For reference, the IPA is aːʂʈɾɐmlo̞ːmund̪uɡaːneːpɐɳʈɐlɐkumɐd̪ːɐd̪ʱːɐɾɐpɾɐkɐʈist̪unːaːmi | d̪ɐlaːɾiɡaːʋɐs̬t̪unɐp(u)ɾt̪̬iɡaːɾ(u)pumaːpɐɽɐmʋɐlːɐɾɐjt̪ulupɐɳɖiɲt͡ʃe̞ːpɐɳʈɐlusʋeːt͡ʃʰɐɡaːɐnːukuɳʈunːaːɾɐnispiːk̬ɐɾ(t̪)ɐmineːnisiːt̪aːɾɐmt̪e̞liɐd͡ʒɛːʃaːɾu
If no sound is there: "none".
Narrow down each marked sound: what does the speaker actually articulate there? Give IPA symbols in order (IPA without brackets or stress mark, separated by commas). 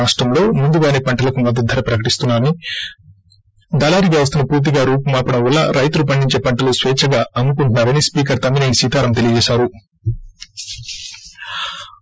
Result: uː, uː, t̪